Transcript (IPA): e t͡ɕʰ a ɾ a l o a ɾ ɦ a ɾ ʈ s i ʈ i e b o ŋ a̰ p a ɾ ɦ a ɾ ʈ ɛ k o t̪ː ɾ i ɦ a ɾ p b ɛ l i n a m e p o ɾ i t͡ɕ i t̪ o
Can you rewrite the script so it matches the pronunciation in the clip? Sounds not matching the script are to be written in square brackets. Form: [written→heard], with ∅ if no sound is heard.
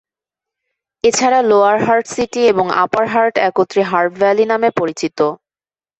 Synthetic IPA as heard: e t͡ɕʰ a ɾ a l o a ɾ ɦ a ɾ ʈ s i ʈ i e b o ŋ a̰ p a ɾ ɦ a ɾ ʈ ɛ k o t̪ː ɾ i ɦ a ɾ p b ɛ l i n a m e p o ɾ i t͡ɕ i t̪ o